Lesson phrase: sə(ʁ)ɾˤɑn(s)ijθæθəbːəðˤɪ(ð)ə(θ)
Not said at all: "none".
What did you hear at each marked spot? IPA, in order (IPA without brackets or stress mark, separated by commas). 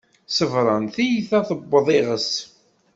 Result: v, θ, ʁ, s